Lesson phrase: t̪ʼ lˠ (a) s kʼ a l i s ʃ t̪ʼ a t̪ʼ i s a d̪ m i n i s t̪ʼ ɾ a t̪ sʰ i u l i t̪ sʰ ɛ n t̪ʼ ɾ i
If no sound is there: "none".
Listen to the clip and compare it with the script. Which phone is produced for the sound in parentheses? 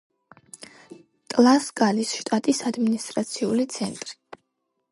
a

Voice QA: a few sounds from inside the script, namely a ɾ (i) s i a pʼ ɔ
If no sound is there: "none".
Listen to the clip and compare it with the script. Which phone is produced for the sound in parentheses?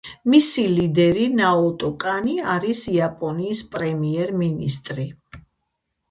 i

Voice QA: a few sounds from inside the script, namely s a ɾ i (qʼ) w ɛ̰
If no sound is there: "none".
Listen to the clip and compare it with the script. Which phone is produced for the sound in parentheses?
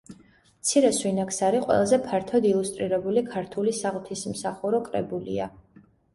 qʼ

